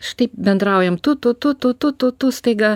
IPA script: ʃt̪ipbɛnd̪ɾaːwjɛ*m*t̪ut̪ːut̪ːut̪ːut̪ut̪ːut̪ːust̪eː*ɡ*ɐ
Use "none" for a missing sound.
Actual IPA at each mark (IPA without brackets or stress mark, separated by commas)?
m, ɡ